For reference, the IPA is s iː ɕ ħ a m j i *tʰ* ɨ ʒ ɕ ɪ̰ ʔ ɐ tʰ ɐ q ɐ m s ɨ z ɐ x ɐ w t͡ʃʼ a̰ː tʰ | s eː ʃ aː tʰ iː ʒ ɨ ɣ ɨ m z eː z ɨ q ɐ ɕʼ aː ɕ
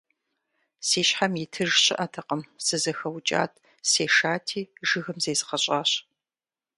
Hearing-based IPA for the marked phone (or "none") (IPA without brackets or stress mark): tʰ